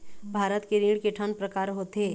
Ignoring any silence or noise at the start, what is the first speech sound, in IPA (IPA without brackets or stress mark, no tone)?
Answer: bʱ